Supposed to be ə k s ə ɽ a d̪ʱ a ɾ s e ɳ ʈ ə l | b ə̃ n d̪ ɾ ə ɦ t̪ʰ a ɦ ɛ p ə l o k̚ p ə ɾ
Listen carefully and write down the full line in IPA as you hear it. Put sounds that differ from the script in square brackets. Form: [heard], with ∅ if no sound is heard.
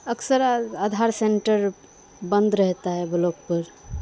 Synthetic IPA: ə k s ə [ɾ] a d̪ʱ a ɾ s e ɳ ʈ ə [ɾ] | b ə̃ n d̪ ɾ ə ɦ [t̪] a ɦ ɛ [b] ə l o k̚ p ə ɾ

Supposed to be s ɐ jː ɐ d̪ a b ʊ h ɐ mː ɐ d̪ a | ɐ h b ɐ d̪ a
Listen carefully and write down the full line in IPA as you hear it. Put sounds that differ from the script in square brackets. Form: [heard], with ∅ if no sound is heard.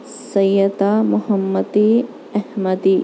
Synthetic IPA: s ɐ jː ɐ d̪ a [m] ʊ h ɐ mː ɐ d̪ [i] | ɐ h [m] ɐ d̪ [i]

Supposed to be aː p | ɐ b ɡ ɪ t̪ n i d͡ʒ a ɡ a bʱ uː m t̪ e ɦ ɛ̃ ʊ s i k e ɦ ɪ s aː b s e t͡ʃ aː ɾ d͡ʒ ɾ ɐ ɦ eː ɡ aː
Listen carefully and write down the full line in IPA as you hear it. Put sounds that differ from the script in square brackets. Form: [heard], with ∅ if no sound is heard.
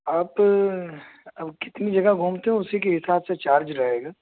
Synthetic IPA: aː p | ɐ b [k] ɪ t̪ n i d͡ʒ [ɐ] ɡ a [ɡʱ] uː m t̪ e ɦ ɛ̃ ʊ s i k e ɦ ɪ s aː b s e t͡ʃ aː ɾ d͡ʒ ɾ ɐ ɦ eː ɡ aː

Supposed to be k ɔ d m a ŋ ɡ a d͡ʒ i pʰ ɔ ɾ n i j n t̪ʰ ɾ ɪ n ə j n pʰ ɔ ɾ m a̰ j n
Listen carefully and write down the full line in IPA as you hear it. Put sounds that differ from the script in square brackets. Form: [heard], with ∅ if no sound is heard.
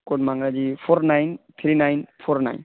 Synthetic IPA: k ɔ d m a ŋ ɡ a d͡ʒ i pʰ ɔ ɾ n [a] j n t̪ʰ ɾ [i] n [a] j n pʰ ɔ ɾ [n] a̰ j n

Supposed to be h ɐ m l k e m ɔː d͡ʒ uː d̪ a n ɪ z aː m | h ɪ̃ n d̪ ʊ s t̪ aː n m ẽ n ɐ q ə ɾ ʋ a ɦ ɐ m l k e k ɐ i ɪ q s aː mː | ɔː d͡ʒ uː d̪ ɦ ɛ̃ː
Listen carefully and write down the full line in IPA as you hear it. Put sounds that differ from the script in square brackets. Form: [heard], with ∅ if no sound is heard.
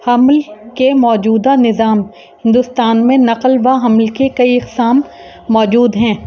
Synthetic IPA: h ɐ m l k e m ɔː d͡ʒ uː d̪ a n ɪ z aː m | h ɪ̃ n d̪ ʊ s t̪ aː n m ẽ n ɐ q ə [l] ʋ a ɦ ɐ m l k e k ɐ i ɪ q s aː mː | ɔː d͡ʒ uː d̪ ɦ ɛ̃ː

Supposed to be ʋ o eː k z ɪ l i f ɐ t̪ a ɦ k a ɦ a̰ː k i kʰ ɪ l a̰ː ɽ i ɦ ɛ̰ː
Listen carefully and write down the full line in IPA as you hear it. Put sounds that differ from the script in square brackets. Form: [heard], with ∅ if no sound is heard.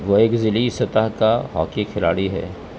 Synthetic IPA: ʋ o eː k z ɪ l i [s] ɐ t̪ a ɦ k a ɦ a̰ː k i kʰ ɪ l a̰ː ɽ i ɦ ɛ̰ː

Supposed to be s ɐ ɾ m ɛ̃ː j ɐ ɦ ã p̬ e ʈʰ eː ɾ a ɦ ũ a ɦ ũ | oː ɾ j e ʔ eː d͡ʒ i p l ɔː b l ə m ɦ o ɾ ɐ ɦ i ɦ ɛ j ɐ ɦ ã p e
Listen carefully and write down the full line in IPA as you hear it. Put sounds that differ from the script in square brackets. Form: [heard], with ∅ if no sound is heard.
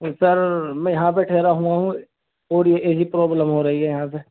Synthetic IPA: s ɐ ɾ m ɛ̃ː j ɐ ɦ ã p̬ e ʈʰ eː ɾ a ɦ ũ a ɦ ũ | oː ɾ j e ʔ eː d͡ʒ i p [ɾ] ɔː b l ə m ɦ o ɾ ɐ ɦ i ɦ ɛ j ɐ ɦ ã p e

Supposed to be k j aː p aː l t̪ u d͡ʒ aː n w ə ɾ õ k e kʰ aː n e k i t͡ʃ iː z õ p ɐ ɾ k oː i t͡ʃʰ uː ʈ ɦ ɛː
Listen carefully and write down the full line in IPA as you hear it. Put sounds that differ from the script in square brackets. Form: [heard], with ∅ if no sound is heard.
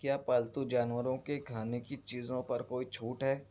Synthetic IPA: k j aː p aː l t̪ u d͡ʒ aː n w ə ɾ õ k e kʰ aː n e k i t͡ʃ iː z õ p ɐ ɾ k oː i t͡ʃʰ uː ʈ ɦ ɛː

